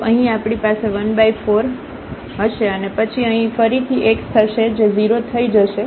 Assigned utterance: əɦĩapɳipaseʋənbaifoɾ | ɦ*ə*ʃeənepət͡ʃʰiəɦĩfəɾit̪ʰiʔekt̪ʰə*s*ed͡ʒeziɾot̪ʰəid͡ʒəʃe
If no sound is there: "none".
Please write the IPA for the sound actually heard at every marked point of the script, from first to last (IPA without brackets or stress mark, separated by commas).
ə, ʃ